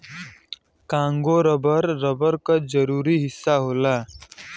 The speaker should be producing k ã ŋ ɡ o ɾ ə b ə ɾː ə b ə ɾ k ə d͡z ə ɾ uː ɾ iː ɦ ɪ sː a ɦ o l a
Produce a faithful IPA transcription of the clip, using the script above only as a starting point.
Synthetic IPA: k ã ŋ ɡ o ɾ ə b ə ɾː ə b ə ɾ k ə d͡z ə ɾ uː ɾ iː ɦ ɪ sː a ɦ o l a